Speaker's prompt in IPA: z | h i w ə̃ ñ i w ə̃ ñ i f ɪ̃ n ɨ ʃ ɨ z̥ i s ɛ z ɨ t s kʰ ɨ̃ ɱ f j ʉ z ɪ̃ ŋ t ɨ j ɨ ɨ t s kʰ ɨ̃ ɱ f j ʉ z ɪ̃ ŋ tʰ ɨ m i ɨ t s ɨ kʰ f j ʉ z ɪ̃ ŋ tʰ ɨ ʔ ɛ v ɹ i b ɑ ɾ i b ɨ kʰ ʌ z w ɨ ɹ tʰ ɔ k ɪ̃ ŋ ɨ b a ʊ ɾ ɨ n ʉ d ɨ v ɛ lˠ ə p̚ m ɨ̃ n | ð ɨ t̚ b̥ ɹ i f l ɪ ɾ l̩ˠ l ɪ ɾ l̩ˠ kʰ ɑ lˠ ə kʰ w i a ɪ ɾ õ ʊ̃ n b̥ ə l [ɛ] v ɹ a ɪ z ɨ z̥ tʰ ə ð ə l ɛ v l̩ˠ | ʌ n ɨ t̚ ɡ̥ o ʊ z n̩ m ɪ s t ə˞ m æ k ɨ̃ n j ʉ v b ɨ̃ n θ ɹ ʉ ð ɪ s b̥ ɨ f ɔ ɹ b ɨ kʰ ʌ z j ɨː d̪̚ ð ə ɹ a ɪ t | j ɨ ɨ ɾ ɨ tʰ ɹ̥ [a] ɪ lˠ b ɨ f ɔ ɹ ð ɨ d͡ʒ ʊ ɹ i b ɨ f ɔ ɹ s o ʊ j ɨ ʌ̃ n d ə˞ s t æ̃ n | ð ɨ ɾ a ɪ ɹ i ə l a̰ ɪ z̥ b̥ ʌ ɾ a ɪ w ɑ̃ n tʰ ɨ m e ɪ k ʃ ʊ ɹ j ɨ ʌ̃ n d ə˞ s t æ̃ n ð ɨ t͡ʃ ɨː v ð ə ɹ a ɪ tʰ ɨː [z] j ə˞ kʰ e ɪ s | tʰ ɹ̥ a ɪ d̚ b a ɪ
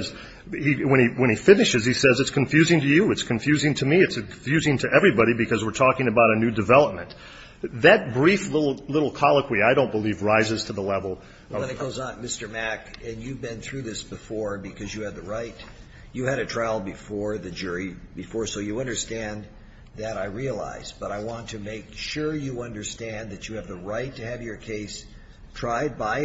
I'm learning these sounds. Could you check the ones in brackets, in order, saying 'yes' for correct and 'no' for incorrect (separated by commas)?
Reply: no, yes, no